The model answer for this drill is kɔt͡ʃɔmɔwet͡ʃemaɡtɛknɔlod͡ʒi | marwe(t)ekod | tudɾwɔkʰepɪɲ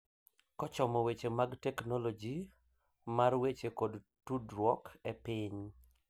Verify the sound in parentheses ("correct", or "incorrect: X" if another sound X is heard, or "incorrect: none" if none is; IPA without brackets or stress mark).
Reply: incorrect: t͡ʃ